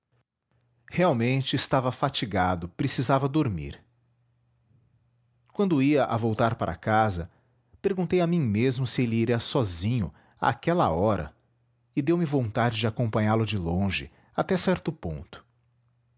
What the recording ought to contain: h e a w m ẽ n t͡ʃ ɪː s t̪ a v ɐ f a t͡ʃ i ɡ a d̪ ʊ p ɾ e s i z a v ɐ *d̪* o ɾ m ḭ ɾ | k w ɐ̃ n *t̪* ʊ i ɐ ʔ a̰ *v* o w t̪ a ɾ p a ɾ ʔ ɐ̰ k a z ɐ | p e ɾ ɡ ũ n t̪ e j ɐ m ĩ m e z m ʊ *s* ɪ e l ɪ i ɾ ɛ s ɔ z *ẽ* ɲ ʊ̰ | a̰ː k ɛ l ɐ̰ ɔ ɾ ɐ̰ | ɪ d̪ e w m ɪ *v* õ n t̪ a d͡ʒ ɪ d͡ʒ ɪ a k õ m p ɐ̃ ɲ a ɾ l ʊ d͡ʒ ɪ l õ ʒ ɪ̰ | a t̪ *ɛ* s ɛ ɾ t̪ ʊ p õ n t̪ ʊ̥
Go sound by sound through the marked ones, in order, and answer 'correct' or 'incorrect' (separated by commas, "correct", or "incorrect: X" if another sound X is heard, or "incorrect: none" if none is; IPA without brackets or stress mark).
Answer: correct, incorrect: d̪, correct, correct, incorrect: ĩ, correct, correct